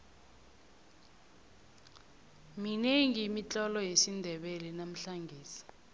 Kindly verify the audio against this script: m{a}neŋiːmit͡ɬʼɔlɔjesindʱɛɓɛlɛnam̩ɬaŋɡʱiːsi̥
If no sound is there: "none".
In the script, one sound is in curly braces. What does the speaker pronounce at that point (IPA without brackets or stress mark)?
i